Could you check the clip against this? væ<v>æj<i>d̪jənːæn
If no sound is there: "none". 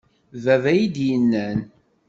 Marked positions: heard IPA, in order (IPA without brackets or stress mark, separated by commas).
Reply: v, i